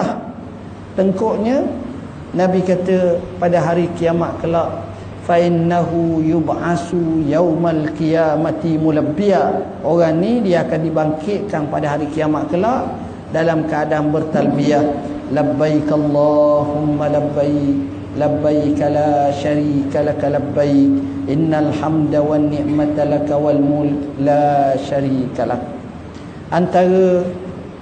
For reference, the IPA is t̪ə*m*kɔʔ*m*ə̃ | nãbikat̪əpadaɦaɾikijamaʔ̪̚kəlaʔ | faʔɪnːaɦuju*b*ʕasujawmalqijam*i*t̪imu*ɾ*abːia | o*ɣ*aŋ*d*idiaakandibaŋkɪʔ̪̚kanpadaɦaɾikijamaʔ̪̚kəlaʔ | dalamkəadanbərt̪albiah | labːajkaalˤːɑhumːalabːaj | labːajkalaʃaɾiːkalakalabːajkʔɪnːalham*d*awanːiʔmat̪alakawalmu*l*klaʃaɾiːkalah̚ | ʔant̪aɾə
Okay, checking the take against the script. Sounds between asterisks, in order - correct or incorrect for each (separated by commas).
incorrect, incorrect, correct, incorrect, incorrect, correct, incorrect, correct, correct